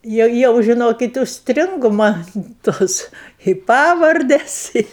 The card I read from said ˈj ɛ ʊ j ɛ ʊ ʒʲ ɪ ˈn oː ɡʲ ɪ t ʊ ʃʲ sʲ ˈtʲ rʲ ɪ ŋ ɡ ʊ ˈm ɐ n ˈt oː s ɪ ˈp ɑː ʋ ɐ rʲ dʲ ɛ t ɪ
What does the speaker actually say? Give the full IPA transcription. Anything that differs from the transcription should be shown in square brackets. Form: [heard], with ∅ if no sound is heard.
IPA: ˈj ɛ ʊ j ɛ ʊ ʒʲ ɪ ˈn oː [kʲ] ɪ t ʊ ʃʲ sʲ ˈtʲ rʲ ɪ ŋ ɡ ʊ ˈm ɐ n ˈt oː s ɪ ˈp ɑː ʋ ɐ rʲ dʲ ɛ [s] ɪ